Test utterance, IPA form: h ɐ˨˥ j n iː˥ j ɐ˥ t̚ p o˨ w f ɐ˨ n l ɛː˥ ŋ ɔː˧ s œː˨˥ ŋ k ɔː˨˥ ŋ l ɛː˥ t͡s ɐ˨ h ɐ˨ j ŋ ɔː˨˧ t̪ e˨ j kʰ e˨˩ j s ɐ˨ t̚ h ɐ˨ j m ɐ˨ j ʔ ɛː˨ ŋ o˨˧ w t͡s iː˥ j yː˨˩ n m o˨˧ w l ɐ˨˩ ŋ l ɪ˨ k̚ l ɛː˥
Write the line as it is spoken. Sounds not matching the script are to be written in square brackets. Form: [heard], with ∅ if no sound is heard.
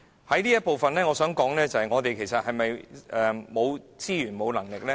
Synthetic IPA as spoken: h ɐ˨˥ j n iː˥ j ɐ˥ t̚ p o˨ w f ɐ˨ n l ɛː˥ ŋ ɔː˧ s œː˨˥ ŋ k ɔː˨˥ ŋ l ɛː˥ t͡s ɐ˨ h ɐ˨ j ŋ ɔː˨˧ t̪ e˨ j kʰ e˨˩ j s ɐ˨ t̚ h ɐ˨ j m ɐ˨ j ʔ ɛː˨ [m] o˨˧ w t͡s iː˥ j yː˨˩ n m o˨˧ w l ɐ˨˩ ŋ l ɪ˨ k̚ l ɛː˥